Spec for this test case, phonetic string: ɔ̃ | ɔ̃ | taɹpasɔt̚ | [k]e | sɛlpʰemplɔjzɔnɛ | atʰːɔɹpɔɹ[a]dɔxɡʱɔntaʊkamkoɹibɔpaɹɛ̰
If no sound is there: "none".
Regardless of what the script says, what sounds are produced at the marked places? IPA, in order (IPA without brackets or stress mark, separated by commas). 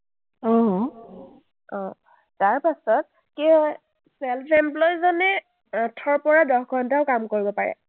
k, a